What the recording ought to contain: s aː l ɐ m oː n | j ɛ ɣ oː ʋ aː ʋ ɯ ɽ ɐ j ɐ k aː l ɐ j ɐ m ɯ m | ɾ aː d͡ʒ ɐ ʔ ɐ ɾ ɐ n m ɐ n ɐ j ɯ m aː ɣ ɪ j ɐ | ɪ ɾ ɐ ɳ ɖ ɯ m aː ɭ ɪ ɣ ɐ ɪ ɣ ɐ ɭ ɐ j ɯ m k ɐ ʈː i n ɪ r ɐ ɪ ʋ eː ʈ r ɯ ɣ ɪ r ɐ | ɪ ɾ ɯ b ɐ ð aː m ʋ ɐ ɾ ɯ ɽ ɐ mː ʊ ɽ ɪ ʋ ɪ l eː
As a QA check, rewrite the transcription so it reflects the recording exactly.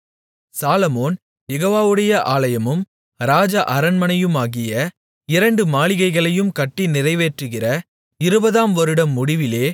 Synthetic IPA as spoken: s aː l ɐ m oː n | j ɛ ɣ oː ʋ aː ʋ ɯ ɽ ɐ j ɐ ʔ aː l ɐ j ɐ m ɯ m | ɾ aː d͡ʒ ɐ ʔ ɐ ɾ ɐ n m ɐ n ɐ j ɯ m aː ɣ ɪ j ɐ | ɪ ɾ ɐ ɳ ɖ ɯ m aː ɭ ɪ ɣ ɐ ɪ ɣ ɐ ɭ ɐ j ɯ m k ɐ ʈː i n ɪ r ɐ ɪ ʋ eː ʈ r ɯ ɣ ɪ r ɐ | ɪ ɾ ɯ b ɐ ð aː m ʋ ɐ ɾ ɯ ɽ ɐ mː ʊ ɽ ɪ ʋ ɪ l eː